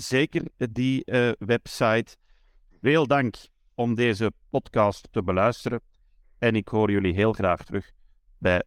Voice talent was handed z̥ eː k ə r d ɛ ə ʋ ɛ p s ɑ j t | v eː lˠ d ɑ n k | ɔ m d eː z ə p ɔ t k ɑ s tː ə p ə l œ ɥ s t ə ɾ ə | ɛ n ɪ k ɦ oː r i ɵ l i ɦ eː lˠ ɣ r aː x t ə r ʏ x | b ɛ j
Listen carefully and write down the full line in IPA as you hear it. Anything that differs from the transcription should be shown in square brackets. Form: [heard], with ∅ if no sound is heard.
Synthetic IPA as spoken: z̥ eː k ə r d [i] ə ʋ ɛ p s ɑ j t | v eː lˠ d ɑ [ŋ] k | ɔ m d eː z ə p ɔ t k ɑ s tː ə [b] ə l œ ɥ s t ə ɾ ə | ɛ n ɪ k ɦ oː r [j] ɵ l i ɦ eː lˠ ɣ r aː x t ə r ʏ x | b ɛ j